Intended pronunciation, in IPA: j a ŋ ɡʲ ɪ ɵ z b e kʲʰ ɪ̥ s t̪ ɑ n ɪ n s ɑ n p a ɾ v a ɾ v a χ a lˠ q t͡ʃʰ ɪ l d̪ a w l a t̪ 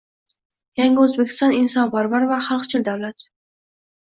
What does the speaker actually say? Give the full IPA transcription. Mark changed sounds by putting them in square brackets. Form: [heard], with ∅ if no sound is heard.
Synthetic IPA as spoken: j a ŋ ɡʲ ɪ ɵ z b e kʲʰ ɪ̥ s t̪ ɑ n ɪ n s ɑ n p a ɾ v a ɾ v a χ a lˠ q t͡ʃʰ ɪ l d̪ a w l a t̪

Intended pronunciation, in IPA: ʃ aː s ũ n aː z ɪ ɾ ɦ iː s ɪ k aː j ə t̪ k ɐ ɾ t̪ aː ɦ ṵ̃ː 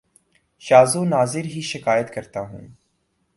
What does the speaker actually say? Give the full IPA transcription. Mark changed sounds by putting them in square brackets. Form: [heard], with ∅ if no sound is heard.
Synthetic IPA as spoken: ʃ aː [z] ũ n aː z ɪ ɾ ɦ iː [ʃ] ɪ k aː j ə t̪ k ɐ ɾ t̪ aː ɦ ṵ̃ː

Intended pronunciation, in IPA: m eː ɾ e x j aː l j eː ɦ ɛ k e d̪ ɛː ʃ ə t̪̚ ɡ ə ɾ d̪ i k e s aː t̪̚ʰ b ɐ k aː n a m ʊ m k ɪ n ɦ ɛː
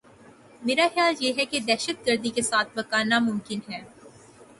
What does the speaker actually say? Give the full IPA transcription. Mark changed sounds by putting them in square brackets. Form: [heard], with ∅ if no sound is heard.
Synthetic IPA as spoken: m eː ɾ [a] x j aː l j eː ɦ ɛ k e d̪ ɛː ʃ ə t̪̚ ɡ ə ɾ d̪ i k e s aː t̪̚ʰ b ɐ k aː n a m ʊ m k ɪ n ɦ ɛː

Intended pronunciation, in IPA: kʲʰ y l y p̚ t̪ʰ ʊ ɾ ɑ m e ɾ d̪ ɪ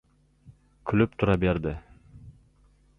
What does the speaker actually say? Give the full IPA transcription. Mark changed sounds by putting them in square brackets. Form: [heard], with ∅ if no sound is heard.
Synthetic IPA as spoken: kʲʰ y l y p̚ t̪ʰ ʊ ɾ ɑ [b] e ɾ d̪ ɪ

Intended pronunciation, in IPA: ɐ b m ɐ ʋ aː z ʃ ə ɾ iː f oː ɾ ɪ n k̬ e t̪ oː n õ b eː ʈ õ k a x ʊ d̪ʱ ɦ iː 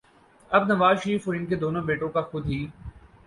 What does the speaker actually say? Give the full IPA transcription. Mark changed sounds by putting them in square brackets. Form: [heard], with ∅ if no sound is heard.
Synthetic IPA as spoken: ɐ b [n] ɐ ʋ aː z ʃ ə ɾ iː f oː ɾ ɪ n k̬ e [d̪] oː n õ b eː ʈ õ k a x ʊ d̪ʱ ɦ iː

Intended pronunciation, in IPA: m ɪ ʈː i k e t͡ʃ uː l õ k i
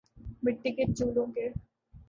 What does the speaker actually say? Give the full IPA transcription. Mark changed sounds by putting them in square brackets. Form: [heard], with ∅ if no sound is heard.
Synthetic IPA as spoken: m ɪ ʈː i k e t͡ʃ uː l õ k [e]

